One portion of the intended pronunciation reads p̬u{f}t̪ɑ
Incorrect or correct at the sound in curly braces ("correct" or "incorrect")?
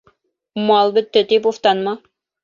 correct